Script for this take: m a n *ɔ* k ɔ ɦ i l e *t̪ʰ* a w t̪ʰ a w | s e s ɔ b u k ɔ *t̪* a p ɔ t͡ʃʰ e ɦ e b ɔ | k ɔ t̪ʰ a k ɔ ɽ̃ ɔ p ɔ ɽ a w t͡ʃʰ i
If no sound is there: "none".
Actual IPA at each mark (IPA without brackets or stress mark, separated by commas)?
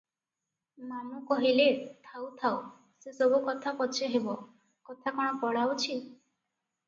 u, t̪ʰ, t̪ʰ